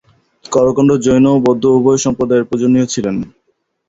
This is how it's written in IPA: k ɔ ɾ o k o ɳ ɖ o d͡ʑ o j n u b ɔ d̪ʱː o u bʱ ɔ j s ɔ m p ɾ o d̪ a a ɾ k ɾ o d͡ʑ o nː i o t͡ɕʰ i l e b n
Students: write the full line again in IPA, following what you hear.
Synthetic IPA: k ɔ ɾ o k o ɳ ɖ o d͡ʑ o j n o b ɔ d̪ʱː o u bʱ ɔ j ʃ ɔ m p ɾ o d̪ a e ɾ p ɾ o d͡ʑ o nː i o t͡ɕʰ i l e n